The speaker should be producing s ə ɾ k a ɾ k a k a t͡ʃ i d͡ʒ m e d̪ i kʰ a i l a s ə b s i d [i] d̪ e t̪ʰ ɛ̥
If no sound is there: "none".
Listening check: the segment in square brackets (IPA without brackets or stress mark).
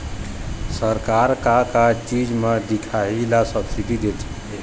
i